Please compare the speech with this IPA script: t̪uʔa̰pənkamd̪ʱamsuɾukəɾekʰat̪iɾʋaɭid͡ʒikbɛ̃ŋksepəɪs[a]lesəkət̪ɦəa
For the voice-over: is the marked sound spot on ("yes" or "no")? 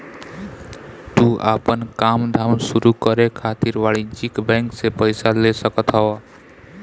yes